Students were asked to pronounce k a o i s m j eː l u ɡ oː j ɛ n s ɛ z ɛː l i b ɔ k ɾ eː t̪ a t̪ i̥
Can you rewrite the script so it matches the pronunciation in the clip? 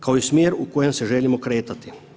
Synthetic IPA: k a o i s m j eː ɾ u k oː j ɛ m s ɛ ʒ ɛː l i m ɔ k ɾ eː t̪ a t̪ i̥